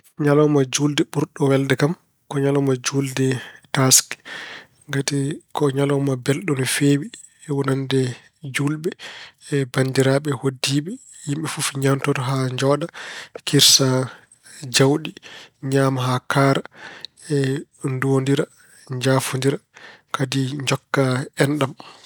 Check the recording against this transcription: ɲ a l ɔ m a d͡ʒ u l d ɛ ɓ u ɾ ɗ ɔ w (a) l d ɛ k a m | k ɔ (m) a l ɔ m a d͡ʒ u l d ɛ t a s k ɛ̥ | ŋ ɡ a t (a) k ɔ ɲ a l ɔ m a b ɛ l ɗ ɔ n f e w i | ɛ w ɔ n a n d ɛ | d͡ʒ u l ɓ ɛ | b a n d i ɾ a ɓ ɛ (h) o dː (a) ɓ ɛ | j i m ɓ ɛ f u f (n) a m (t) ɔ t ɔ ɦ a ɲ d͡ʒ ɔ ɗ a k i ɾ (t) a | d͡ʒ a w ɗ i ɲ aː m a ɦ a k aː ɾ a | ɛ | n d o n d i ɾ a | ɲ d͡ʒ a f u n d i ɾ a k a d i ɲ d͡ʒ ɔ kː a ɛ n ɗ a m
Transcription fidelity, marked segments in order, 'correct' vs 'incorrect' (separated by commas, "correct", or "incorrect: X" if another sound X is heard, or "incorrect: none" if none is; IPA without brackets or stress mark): incorrect: ɛ, incorrect: ɲ, incorrect: i, correct, incorrect: i, incorrect: ɲ, correct, incorrect: s